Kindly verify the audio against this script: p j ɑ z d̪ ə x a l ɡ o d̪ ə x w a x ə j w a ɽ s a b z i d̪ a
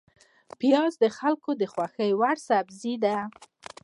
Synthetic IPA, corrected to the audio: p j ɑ z d̪ ə x a l k o d̪ ə x w a x ə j w a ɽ s a b z i d̪ a

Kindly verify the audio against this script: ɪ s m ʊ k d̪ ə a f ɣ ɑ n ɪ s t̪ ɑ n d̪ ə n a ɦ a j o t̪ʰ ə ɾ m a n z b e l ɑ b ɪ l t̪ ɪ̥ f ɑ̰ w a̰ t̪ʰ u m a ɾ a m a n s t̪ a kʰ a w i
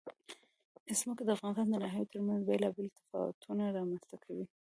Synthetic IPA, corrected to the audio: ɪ s m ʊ k d̪ ə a f ɣ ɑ n ɪ s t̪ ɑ n d̪ ə n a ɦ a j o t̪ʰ ə ɾ m a n z b e l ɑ b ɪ l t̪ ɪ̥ f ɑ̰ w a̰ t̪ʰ u n a ɾ ɑ m a n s t̪ a kʰ a w i

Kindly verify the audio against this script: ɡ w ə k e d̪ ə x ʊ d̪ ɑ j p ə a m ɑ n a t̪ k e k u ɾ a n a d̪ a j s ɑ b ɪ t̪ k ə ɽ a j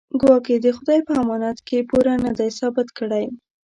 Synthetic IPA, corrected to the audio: ɡ w ɑ k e d̪ ə x ʊ d̪ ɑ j p ə a m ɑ n a t̪ k e p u ɾ a n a d̪ a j s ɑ b ɪ t̪ k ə ɽ a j

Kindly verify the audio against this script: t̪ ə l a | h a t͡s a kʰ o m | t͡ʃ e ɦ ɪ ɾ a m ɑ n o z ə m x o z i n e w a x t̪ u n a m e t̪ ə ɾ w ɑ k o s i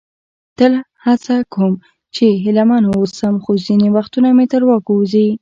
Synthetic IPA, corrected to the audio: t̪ ə l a | h a t͡s a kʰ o m | t͡ʃ e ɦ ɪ l a m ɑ n o s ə m x o z i n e w a x t̪ u n a m e t̪ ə ɾ w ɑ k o z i

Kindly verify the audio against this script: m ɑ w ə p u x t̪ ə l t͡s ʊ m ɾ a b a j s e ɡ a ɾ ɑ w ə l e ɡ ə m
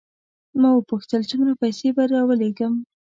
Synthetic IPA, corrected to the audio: m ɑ w ə p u x t̪ ə l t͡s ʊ m ɾ a p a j s e b a ɾ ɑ w ə l e ɡ ə m

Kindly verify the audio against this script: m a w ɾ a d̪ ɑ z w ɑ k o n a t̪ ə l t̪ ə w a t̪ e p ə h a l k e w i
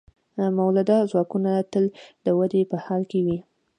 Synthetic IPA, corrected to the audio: m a w l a d̪ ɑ z w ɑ k u n a t̪ ə l d̪ ə w a d̪ e p ə h ɑ l k e w i

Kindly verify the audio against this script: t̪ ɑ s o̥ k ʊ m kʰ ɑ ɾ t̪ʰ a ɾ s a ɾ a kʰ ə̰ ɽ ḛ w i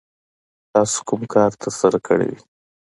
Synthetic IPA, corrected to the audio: t̪ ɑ s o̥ k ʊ m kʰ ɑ ɾ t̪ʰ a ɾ s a ɾ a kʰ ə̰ ɽ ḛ w i

